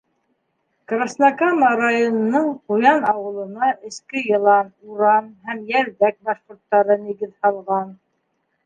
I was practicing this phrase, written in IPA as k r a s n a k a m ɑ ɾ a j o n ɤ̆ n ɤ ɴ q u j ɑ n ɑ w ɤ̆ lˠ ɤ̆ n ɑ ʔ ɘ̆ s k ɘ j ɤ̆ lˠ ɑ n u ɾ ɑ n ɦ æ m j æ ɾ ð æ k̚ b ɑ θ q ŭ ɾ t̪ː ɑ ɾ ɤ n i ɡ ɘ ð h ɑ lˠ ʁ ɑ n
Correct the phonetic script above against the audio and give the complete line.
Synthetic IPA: k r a s n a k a m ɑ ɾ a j o n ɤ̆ n ɤ ɴ q u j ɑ n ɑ w ɤ̆ lˠ ɤ̆ n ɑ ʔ ɘ̆ s k ɘ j ɤ̆ lˠ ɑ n u ɾ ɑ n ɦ æ m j æ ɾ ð æ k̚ b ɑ ʃ q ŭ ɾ t̪ː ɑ ɾ ɤ n i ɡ ɘ ð h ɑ lˠ ʁ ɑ n